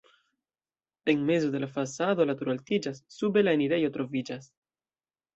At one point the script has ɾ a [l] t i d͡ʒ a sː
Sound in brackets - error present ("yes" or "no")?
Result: no